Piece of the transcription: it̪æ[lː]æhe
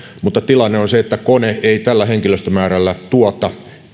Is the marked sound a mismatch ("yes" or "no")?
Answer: no